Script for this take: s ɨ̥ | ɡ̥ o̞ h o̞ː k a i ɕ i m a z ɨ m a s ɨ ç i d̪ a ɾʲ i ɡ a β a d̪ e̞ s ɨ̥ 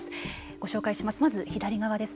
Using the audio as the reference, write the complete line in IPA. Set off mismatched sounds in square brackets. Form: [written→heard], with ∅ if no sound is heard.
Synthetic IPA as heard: s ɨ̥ | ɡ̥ o̞ [h→ɕ] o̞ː k a i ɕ i m a [z→s] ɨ m a [s→z] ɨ ç i d̪ a ɾʲ i ɡ a β a d̪ e̞ s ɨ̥